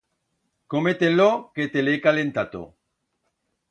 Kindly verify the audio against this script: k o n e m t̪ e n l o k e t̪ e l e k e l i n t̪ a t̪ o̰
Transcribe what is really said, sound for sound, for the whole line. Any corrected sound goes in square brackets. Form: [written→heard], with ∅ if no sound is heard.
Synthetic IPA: k o [n→m] e [m→∅] t̪ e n l o k e t̪ e l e k [e→a] l [i→e] n t̪ a t̪ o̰